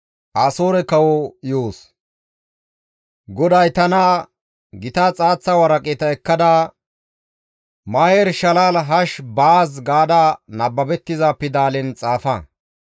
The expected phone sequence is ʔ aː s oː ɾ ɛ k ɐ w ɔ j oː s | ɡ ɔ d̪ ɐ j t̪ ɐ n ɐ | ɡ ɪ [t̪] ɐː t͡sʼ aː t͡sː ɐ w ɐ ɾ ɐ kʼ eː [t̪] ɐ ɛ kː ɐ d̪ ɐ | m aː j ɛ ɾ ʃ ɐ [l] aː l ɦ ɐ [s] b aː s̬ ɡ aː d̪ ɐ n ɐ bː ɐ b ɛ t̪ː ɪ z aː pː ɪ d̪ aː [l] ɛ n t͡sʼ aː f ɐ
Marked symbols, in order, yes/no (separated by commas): yes, yes, yes, no, yes